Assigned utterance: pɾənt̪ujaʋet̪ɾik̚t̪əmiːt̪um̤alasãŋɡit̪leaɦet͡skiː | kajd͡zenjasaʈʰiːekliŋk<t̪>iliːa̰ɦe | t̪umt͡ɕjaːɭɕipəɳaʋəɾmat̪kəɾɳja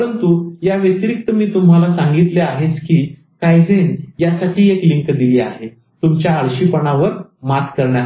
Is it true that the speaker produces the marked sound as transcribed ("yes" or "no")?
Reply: no